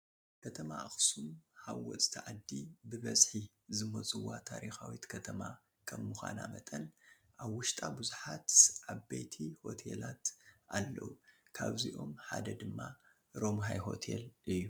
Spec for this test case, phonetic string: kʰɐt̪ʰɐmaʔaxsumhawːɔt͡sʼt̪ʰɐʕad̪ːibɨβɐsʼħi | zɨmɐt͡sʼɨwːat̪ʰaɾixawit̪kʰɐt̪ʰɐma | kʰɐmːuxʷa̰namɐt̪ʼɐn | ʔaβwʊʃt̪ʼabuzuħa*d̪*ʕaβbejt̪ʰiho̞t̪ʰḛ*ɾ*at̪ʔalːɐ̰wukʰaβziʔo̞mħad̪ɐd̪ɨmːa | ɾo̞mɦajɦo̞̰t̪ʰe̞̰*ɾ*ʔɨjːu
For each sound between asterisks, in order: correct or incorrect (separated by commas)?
incorrect, incorrect, incorrect